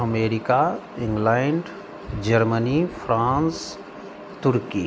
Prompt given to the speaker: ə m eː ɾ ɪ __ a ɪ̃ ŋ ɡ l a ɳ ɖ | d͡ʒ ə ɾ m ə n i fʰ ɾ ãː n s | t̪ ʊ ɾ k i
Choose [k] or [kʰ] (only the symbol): k